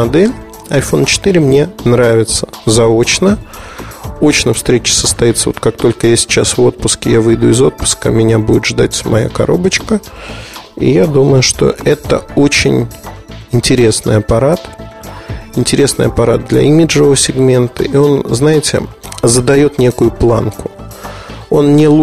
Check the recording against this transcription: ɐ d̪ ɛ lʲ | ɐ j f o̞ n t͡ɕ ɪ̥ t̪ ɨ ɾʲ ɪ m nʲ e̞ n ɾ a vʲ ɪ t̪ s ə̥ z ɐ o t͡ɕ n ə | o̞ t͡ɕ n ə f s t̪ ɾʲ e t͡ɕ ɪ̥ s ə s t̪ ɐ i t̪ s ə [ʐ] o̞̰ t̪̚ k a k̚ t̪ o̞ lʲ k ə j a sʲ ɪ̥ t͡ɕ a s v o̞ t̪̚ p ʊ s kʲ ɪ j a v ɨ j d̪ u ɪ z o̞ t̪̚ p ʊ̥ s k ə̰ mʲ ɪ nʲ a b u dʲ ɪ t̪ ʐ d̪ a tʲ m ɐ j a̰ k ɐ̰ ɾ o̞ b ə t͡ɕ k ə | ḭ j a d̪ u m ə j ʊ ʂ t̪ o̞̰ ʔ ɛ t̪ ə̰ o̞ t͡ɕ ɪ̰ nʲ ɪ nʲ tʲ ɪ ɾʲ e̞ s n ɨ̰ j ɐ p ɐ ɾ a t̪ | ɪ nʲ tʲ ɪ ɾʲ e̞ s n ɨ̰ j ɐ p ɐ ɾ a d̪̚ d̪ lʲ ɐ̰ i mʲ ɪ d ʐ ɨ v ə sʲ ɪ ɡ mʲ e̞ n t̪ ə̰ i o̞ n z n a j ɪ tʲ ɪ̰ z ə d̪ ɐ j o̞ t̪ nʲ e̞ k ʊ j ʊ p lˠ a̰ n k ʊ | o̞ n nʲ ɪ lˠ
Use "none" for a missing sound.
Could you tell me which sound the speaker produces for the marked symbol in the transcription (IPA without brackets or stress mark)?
v